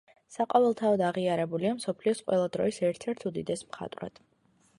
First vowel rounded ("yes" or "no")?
no